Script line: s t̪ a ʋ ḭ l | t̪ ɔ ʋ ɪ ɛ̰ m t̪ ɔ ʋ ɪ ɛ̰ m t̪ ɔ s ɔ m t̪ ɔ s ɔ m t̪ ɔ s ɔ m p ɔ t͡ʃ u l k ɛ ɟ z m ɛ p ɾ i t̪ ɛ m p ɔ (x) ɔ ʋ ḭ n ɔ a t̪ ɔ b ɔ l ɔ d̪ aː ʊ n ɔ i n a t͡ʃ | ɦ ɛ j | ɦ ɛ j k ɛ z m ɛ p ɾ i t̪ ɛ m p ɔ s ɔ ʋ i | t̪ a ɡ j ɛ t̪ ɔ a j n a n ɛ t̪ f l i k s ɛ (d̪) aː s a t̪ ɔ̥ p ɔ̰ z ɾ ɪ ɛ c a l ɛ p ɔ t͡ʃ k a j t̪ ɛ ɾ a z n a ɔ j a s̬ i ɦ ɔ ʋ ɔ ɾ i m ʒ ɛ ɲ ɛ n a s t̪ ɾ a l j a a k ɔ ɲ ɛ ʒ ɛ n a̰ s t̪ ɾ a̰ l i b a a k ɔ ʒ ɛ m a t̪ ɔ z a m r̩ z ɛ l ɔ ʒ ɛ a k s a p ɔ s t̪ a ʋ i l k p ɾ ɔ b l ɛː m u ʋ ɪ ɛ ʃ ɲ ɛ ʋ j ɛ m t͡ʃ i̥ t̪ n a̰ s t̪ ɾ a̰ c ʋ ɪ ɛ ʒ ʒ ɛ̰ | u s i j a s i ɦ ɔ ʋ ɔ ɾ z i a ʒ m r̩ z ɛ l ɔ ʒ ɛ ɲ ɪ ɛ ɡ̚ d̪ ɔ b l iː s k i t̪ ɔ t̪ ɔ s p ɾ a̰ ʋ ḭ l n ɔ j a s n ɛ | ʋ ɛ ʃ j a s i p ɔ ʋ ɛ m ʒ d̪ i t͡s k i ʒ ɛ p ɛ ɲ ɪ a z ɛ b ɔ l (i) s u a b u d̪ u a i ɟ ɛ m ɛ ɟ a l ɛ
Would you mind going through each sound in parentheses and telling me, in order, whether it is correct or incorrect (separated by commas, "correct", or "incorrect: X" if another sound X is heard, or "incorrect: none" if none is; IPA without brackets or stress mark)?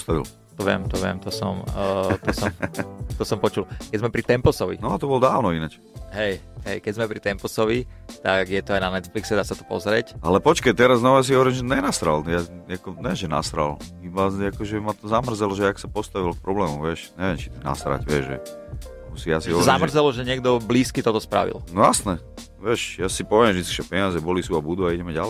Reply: incorrect: s, correct, correct